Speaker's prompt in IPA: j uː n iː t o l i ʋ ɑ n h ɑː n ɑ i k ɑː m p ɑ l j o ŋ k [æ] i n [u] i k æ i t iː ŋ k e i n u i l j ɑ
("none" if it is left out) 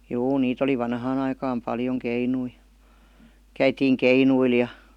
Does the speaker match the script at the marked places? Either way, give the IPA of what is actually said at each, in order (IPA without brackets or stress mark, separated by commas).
e, u